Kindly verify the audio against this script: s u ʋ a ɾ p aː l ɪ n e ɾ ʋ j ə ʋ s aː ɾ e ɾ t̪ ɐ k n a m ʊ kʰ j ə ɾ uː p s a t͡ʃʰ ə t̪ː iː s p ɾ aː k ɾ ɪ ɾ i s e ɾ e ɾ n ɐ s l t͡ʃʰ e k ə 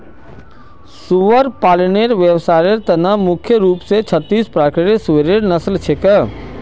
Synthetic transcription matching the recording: s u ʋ ə ɾ p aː l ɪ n e ɾ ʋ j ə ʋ s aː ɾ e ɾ t̪ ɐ n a m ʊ kʰ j ə ɾ uː p s e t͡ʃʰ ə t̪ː iː s p ɾ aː k ɾ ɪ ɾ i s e ɾ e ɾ n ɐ s l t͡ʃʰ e k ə